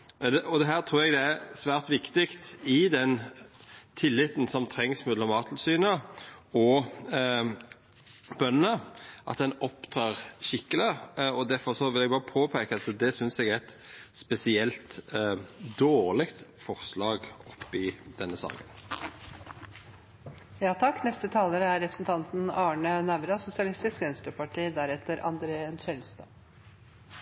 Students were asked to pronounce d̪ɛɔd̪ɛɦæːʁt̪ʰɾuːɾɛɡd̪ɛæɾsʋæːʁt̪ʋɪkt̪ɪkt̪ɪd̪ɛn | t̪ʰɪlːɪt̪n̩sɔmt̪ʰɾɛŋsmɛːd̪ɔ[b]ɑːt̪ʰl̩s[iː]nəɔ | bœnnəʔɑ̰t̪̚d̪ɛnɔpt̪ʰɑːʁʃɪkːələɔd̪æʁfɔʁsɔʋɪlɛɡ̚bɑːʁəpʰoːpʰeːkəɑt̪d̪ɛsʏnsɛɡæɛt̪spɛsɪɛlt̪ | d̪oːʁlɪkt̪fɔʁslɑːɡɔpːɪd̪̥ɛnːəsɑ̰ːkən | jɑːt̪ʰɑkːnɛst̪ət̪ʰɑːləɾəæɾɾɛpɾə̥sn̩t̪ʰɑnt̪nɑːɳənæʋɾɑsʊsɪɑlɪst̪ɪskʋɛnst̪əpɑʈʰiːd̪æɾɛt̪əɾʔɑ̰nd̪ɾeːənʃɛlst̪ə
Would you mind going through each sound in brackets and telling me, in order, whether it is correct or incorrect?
incorrect, incorrect

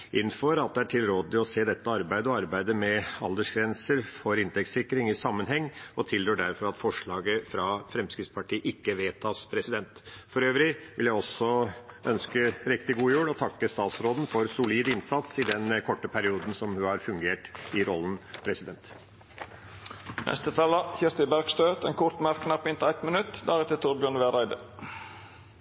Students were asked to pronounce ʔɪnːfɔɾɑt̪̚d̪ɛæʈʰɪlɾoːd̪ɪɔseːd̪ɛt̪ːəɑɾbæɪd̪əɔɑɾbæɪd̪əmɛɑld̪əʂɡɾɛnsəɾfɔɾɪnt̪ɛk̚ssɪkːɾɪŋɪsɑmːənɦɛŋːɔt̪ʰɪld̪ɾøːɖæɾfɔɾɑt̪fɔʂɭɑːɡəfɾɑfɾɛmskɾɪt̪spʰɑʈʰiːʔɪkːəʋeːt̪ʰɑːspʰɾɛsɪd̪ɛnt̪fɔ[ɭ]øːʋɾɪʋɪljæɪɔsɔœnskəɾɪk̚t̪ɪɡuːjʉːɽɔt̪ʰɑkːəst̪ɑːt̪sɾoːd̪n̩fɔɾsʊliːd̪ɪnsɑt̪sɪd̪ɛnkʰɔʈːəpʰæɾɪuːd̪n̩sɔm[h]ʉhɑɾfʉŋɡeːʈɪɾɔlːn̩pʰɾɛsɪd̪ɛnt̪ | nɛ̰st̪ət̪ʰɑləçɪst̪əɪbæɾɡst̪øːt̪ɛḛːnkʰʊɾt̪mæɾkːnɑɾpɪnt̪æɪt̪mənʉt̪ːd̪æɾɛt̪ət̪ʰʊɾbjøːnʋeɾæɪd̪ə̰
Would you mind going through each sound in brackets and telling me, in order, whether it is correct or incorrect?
incorrect, correct

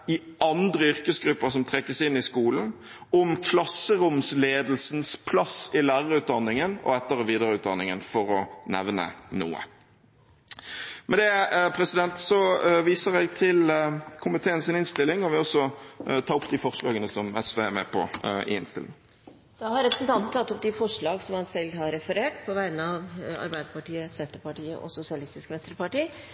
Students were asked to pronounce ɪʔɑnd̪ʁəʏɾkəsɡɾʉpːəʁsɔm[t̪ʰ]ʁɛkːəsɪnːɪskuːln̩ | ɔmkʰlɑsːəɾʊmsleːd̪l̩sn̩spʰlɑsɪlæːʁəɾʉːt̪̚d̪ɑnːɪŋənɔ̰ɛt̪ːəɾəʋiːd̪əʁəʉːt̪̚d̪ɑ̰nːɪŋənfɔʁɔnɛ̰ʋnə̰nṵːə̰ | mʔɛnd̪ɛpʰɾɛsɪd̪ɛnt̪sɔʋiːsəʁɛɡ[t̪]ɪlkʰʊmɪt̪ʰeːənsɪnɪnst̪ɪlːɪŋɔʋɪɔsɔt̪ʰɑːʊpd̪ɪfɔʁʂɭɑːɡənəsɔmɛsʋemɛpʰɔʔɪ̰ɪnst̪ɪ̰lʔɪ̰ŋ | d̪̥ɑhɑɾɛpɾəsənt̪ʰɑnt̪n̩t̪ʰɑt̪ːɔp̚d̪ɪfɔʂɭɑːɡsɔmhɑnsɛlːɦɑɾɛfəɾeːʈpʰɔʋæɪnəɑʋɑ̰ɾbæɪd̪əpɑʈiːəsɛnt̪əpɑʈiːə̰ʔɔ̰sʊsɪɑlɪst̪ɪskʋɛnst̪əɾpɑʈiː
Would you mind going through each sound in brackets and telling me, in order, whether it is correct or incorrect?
correct, incorrect

